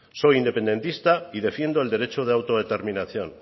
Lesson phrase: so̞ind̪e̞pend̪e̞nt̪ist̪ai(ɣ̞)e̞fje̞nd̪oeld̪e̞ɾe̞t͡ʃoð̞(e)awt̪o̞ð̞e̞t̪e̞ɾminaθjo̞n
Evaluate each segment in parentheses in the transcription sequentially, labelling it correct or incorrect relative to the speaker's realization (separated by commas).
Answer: incorrect, correct